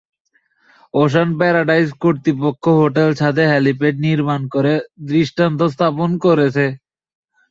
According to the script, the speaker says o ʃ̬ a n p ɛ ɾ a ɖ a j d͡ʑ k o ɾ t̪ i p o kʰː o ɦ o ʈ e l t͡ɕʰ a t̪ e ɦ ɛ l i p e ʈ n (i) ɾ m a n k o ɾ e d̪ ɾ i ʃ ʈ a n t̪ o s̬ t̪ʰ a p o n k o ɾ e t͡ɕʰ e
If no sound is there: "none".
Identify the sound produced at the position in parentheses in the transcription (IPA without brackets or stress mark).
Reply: i